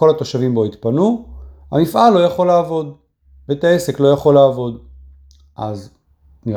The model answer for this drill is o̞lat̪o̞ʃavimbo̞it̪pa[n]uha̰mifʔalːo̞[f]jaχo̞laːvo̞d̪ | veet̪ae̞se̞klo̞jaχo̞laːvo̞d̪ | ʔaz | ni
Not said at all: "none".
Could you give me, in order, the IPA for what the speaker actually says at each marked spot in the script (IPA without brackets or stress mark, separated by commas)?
n, none